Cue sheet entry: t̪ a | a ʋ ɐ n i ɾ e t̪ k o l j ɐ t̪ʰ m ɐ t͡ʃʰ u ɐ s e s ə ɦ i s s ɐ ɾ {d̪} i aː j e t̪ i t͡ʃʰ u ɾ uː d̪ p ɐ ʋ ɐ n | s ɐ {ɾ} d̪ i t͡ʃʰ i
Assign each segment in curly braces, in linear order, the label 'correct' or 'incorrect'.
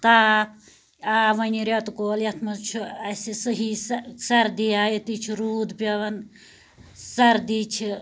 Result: correct, correct

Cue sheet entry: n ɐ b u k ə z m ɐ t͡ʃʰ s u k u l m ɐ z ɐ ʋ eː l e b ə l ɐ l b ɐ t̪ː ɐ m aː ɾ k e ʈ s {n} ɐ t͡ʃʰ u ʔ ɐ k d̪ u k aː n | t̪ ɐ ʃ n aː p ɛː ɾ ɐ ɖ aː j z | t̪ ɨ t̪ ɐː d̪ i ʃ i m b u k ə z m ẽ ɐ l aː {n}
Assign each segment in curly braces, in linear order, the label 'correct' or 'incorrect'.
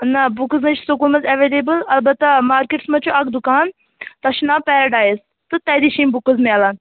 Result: incorrect: m, correct

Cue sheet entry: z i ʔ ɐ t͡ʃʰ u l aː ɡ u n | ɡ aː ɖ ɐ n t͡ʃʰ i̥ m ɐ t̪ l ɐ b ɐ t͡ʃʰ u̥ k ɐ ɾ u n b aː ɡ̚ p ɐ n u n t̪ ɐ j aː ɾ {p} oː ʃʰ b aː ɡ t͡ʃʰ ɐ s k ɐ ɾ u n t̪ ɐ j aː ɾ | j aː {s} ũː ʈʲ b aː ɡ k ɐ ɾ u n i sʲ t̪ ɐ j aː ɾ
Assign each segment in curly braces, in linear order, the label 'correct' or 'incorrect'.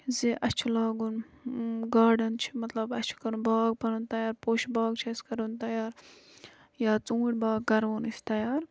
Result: correct, incorrect: t͡s

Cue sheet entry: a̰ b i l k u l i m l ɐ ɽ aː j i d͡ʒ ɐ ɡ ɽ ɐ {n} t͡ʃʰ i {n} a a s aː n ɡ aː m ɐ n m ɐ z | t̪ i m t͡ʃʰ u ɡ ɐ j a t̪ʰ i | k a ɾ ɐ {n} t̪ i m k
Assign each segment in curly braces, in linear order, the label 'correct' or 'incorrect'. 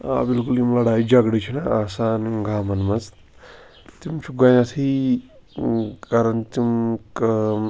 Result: incorrect: none, correct, correct

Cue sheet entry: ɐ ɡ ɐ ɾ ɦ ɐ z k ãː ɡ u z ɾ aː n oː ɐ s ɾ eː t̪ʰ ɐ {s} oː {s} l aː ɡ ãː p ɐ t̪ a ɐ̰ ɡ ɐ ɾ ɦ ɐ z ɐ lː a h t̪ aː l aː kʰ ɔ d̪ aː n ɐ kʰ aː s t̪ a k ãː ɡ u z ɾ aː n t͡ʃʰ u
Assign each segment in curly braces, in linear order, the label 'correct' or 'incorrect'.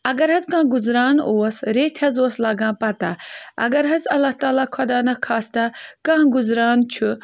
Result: incorrect: z, correct

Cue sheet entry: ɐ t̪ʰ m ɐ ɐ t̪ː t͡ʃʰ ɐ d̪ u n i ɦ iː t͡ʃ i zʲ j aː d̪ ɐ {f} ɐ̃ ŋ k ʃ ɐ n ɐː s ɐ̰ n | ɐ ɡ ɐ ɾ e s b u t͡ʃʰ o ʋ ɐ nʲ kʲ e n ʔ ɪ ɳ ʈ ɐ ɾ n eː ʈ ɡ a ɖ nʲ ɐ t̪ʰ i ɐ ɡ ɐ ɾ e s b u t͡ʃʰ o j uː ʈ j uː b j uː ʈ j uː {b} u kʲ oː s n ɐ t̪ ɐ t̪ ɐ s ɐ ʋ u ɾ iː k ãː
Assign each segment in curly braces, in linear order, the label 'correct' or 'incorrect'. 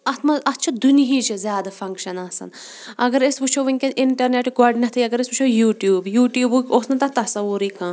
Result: correct, correct

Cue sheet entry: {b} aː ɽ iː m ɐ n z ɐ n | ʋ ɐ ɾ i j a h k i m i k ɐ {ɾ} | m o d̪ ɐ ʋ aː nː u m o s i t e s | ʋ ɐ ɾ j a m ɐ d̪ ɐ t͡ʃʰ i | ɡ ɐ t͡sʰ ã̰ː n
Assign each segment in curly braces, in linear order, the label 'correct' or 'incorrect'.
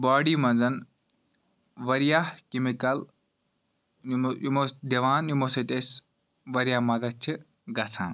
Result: correct, incorrect: l

